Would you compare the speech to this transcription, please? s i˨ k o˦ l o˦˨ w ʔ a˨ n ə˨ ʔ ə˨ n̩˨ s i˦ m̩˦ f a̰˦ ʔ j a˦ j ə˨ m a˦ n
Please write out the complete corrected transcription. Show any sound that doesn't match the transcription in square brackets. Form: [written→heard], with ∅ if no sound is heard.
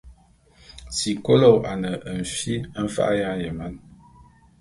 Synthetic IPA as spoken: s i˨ k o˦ l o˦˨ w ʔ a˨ n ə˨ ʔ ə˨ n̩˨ [s→f] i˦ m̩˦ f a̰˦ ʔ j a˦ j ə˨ m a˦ n